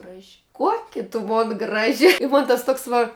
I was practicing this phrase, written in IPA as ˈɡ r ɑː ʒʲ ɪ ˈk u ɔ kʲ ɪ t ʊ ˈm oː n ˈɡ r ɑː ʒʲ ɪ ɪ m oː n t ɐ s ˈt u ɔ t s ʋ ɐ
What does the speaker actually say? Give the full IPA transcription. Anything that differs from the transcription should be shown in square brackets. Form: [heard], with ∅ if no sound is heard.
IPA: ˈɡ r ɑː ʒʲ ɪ ˈk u ɔ kʲ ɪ t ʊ ˈm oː n ˈɡ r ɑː ʒʲ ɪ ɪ m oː n t ɐ s ˈt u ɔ [k] s ʋ ɐ